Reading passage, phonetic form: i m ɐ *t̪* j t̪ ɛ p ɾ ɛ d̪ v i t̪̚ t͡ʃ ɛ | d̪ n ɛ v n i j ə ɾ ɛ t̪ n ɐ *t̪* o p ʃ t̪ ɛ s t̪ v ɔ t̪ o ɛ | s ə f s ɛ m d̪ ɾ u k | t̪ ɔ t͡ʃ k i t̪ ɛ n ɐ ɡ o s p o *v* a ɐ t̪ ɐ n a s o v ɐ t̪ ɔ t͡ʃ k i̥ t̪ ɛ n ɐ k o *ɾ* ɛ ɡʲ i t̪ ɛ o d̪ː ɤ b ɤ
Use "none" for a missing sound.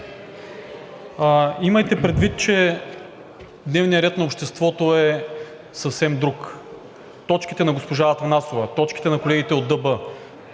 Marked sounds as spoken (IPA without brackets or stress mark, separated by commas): none, none, ʒ, l